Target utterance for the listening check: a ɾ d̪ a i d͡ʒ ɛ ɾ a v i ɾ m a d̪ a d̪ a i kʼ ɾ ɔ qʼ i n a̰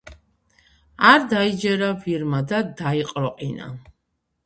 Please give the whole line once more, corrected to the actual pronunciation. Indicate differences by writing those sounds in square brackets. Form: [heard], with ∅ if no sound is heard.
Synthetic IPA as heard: a ɾ d̪ a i d͡ʒ ɛ ɾ a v i ɾ m a d̪ a d̪ a i [qʼ] ɾ ɔ qʼ i n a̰